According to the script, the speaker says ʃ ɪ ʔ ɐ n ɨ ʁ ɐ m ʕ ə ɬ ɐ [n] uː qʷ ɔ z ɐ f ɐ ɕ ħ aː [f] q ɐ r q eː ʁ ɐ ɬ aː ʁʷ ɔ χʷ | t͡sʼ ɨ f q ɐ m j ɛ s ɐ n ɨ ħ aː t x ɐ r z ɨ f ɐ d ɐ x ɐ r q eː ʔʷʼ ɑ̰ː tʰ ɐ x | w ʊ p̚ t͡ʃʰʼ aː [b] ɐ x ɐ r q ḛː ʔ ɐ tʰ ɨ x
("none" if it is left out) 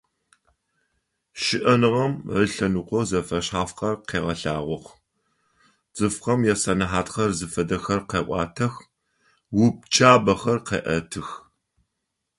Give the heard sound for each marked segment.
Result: n, f, b

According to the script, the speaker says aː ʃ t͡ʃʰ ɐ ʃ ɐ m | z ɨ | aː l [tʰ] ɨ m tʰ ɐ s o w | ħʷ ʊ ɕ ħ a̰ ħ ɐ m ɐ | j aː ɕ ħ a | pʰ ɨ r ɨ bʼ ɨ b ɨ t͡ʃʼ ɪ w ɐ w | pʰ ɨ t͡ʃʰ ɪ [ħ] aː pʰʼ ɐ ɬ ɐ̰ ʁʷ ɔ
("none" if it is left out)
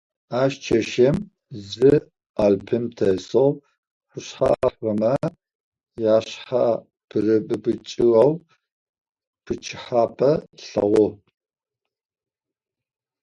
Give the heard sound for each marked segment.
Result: pʰ, ħ

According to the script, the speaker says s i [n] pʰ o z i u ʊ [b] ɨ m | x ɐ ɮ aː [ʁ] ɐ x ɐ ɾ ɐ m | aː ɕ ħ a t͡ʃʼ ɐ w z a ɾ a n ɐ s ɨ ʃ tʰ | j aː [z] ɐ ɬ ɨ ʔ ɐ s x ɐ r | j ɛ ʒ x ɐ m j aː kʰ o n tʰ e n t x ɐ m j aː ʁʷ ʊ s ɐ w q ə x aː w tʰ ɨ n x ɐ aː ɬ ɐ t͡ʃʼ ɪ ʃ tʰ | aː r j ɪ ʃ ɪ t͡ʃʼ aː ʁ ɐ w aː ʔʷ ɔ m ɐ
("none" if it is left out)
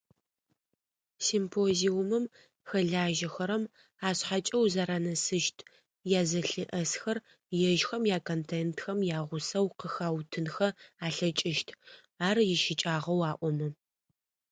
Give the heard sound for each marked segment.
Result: m, m, ʒ, z

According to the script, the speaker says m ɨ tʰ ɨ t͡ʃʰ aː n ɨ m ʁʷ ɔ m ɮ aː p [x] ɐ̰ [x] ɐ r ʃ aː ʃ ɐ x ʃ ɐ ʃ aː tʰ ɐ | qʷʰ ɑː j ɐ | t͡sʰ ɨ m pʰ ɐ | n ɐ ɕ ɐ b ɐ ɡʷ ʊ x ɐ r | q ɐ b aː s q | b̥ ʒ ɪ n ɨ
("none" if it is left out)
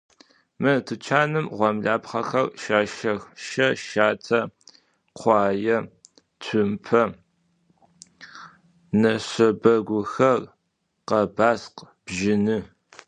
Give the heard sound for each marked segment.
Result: χ, x

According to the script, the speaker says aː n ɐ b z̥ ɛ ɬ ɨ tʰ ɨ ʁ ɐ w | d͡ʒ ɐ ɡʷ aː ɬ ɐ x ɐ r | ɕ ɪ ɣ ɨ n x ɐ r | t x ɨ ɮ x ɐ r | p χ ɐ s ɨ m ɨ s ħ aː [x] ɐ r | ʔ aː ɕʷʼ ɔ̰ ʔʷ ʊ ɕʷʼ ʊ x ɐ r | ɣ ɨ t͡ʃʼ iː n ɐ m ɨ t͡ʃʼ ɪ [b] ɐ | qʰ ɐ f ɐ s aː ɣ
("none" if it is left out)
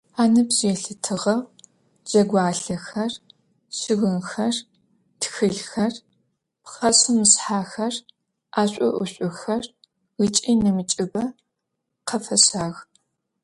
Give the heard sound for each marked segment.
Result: x, b

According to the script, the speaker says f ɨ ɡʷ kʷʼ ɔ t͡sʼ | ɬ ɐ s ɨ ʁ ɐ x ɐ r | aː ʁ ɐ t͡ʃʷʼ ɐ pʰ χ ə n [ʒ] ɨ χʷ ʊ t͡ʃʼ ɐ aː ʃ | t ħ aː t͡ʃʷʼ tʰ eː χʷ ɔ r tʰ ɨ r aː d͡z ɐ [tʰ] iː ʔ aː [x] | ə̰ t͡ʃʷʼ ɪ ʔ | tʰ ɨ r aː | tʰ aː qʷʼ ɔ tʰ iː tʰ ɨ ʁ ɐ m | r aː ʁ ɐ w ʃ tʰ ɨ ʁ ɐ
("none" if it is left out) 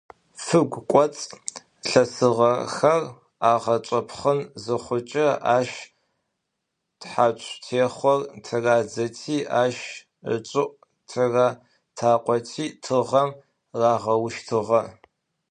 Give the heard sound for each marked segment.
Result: z, tʰ, ʃ

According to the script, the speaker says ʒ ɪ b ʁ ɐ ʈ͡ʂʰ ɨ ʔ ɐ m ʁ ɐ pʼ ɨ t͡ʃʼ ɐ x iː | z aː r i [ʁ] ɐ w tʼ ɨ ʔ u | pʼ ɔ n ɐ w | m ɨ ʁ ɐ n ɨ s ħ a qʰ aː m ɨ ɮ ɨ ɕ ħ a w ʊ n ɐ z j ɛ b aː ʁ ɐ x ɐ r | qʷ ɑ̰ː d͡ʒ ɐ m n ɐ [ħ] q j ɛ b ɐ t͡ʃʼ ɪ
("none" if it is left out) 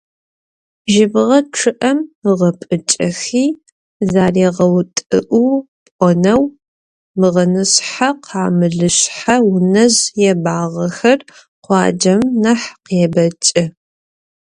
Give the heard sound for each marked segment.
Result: ʁ, ħ

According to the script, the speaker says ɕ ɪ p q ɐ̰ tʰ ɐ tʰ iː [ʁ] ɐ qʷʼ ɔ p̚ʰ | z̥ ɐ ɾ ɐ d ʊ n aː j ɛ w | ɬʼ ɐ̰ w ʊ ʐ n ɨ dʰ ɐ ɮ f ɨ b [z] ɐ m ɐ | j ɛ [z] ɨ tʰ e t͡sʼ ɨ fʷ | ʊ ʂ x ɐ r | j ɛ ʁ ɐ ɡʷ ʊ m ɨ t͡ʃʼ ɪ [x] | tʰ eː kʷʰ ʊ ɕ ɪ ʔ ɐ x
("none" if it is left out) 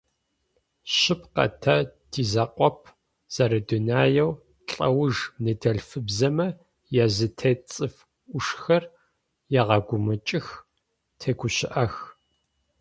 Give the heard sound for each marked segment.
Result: z, z, z, x

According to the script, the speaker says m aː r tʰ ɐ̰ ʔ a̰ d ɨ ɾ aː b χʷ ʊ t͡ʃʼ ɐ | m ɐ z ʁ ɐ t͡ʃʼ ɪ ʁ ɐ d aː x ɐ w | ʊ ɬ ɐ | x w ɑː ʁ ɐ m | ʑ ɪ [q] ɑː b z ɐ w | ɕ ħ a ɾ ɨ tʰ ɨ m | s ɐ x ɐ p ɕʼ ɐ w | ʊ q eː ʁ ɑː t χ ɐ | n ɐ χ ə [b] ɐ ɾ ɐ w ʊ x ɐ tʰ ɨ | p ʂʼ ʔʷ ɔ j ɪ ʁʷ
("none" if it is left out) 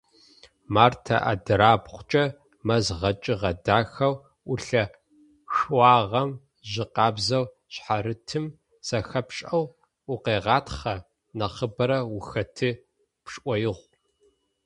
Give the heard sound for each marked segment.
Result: q, b

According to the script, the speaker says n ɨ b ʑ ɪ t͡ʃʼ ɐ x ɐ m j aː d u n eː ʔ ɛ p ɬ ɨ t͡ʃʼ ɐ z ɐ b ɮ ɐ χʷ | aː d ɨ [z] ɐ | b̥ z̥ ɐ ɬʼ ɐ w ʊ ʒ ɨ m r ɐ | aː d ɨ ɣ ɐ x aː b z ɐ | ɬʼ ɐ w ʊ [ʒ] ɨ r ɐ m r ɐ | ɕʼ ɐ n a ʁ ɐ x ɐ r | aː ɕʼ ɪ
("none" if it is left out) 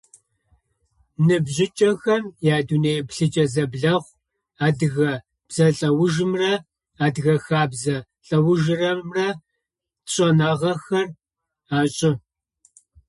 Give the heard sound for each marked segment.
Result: ɣ, ʒ

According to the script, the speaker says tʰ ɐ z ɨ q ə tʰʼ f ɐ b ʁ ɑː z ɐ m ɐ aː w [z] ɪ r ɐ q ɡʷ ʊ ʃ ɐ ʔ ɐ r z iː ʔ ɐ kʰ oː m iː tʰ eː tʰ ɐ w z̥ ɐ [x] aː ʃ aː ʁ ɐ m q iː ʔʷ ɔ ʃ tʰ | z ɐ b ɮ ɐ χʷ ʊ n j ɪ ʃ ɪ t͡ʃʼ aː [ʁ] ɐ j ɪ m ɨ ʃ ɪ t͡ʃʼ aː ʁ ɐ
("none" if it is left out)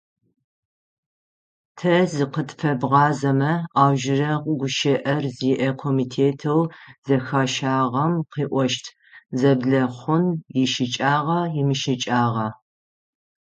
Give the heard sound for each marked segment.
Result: ʒ, x, ʁ

